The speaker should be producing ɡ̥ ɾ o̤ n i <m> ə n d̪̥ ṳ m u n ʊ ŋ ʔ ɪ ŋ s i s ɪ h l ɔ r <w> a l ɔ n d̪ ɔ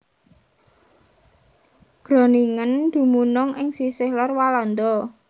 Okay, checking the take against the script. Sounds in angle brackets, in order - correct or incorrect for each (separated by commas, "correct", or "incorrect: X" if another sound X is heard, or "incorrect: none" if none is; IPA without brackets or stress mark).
incorrect: ŋ, correct